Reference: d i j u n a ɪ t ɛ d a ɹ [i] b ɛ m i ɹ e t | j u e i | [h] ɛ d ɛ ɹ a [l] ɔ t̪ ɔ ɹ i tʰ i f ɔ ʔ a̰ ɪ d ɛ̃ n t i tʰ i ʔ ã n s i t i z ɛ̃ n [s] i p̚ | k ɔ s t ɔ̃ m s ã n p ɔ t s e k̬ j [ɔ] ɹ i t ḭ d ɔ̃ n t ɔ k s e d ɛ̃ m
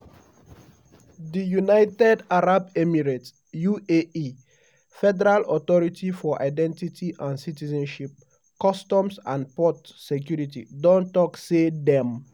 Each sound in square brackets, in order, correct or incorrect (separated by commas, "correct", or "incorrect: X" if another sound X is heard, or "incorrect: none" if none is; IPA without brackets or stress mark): incorrect: a, incorrect: f, correct, incorrect: ʃ, incorrect: u